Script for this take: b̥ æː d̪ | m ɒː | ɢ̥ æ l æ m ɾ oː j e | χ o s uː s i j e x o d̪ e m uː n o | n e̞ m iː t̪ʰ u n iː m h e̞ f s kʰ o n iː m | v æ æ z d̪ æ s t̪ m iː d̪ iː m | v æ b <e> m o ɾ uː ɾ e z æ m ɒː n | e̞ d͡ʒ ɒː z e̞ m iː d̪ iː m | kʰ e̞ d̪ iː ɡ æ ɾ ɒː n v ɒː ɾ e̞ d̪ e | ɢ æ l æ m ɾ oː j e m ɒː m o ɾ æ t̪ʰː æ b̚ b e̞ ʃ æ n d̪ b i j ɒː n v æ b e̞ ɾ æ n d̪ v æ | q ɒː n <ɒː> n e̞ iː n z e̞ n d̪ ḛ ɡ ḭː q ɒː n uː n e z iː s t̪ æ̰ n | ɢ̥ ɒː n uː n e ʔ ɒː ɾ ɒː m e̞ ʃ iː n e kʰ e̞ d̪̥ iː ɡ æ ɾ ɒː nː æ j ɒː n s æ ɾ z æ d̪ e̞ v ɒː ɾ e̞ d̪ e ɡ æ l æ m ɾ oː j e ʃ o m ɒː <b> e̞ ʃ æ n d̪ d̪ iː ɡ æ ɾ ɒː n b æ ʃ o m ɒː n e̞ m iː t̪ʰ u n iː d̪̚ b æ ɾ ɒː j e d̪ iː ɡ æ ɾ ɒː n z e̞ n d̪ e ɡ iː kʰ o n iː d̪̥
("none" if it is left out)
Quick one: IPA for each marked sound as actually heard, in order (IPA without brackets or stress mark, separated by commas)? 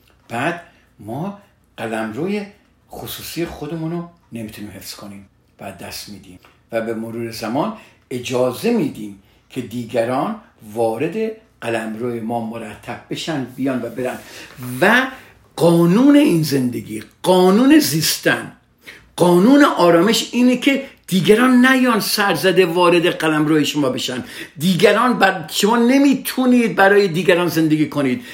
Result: e, uː, b